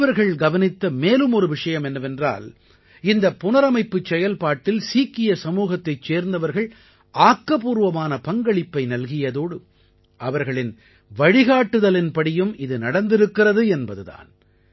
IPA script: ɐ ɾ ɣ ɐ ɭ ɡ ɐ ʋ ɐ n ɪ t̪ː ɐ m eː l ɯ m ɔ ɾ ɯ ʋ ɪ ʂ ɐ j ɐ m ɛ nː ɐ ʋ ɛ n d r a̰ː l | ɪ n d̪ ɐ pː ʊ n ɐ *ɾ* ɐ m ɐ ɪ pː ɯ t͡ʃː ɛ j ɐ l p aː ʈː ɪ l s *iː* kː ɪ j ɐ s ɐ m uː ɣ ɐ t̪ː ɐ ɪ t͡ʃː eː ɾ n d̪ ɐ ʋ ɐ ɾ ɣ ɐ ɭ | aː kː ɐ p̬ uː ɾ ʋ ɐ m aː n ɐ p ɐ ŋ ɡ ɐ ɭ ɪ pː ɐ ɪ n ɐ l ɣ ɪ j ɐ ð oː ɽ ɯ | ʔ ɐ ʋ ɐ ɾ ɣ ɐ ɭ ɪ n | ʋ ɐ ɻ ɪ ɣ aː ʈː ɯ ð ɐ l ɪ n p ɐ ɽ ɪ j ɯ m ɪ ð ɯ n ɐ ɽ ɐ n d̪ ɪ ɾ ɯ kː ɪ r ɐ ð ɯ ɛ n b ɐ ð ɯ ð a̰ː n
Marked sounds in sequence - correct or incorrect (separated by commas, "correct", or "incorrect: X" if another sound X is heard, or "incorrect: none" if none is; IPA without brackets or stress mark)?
correct, correct